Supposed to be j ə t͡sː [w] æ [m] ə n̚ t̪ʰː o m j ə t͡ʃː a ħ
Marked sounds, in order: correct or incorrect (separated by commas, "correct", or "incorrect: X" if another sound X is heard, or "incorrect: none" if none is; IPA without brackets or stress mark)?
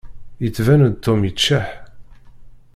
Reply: incorrect: v, incorrect: n